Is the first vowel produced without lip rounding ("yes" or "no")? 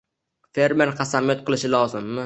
yes